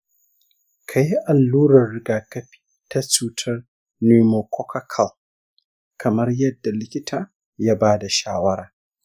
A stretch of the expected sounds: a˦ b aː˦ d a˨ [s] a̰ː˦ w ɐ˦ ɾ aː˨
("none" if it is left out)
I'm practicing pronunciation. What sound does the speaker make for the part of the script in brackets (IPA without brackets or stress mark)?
ʃ